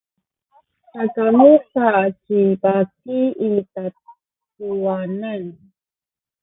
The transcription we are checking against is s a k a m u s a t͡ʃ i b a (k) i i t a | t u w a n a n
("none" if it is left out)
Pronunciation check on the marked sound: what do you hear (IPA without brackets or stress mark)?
k